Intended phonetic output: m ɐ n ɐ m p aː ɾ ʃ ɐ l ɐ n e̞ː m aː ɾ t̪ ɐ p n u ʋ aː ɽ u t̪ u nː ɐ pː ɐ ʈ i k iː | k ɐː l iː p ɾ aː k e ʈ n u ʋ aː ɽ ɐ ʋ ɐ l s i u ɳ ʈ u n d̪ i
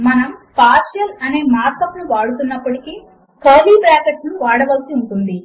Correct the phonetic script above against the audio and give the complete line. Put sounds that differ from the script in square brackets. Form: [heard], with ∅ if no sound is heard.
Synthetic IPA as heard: m ɐ n ɐ m p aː ɾ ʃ ɐ l ɐ n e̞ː m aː ɾ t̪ ɐ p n u ʋ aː ɽ u t̪ u nː ɐ pː ɐ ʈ i k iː | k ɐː l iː p ɾ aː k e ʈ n u ʋ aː ɽ ɐ ʋ ɐ l s i u ɳ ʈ u n d̪ i